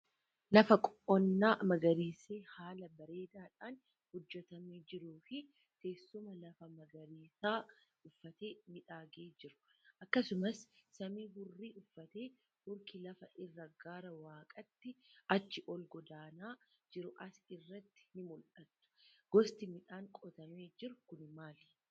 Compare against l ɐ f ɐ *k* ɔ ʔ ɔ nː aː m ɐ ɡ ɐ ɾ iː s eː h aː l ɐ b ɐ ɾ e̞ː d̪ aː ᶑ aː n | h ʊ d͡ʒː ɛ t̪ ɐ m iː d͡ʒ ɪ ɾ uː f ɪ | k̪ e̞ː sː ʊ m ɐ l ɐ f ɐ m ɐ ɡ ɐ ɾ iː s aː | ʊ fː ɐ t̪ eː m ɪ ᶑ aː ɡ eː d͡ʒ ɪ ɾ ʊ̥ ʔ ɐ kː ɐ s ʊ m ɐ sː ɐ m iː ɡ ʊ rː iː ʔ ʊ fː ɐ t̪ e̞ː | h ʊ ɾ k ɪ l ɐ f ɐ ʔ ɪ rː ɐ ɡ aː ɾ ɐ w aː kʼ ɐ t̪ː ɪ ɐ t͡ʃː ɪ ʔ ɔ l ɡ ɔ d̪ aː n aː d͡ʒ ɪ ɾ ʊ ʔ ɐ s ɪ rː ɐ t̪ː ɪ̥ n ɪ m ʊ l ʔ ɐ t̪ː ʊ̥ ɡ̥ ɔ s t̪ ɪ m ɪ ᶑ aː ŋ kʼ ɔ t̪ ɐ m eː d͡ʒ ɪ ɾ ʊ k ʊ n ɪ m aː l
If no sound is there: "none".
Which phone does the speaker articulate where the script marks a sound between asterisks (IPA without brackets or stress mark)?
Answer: kʼ